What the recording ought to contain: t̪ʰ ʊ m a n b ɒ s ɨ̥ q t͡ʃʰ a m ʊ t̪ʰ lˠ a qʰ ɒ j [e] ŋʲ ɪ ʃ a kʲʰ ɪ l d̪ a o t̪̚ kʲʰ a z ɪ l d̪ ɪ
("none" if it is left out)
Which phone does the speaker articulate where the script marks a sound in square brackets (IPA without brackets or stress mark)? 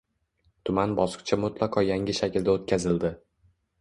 a